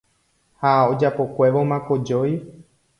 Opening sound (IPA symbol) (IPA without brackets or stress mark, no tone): h